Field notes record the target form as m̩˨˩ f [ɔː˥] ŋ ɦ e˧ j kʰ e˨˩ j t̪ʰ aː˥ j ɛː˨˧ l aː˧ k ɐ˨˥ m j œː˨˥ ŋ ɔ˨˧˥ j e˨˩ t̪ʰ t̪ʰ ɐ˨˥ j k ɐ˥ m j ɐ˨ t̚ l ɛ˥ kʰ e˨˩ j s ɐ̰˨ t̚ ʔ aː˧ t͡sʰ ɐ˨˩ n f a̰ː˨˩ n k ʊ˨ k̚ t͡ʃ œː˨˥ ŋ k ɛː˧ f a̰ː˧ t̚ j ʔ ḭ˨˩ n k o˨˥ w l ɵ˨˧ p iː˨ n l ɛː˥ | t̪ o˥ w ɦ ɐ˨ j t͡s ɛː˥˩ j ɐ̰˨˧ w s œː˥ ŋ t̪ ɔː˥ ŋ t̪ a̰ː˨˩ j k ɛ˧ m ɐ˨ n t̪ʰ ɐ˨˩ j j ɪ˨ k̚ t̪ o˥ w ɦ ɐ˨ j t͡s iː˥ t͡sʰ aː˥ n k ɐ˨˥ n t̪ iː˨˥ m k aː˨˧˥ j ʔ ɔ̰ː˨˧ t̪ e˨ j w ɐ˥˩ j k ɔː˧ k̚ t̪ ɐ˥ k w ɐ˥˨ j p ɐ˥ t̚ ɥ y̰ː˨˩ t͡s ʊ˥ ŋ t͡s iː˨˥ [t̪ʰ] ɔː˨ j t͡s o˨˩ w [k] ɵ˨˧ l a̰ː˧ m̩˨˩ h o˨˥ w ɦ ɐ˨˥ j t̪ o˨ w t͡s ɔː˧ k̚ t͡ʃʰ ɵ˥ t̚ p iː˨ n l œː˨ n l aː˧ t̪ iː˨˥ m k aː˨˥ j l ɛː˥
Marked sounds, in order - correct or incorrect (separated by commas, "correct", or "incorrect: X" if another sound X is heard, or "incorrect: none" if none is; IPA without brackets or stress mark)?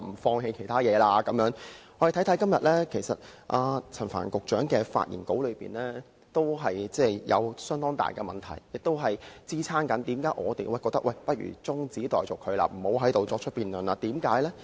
incorrect: ɔː˧, incorrect: t̪, incorrect: kʰ